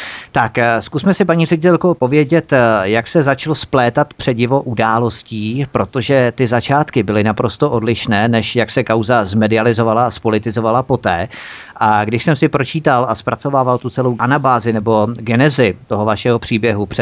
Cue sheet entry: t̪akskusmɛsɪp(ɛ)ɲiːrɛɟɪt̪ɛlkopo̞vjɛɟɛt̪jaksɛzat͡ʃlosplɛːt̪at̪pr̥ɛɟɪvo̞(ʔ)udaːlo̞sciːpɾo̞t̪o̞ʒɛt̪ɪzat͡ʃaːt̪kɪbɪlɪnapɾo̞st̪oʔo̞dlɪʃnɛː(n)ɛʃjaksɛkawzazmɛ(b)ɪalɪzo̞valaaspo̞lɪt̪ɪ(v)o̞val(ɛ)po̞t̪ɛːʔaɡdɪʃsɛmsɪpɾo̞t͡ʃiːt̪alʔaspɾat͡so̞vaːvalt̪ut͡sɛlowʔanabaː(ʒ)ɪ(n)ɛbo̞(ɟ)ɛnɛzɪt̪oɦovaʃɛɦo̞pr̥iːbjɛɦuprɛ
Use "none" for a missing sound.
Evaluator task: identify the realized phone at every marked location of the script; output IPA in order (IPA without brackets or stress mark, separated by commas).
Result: a, ʔ, n, d, z, a, z, n, ɡ